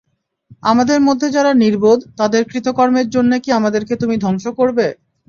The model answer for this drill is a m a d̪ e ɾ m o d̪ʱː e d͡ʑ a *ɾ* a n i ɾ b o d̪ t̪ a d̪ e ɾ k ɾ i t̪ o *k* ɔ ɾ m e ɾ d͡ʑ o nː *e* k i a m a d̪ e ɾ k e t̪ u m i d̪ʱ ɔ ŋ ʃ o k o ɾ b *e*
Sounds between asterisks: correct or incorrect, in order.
correct, correct, correct, correct

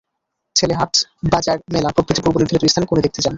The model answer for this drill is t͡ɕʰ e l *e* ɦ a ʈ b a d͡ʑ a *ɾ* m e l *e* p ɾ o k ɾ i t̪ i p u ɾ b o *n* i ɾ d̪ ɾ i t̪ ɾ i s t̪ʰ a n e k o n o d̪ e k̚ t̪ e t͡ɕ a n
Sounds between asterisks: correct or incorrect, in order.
correct, correct, incorrect: a, correct

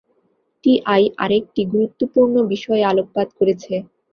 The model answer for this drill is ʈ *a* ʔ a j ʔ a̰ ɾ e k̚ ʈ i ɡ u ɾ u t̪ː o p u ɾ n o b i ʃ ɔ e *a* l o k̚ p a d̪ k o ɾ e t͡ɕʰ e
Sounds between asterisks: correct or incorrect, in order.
incorrect: i, correct

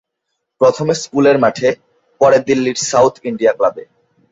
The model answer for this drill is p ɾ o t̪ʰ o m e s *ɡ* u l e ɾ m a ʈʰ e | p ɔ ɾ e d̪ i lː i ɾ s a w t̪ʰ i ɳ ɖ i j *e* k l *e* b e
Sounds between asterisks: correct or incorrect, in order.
incorrect: k, incorrect: a, incorrect: a

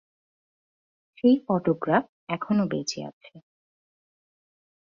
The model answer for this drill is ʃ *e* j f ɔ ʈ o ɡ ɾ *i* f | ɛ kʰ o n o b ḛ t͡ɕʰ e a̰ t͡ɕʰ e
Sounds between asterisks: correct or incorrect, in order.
correct, incorrect: a

